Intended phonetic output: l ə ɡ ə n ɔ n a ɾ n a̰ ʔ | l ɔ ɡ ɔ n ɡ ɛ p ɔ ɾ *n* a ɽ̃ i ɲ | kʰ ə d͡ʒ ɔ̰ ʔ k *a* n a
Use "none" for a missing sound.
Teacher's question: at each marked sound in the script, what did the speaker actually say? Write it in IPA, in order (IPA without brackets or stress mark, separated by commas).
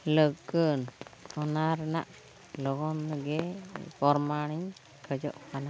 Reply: m, a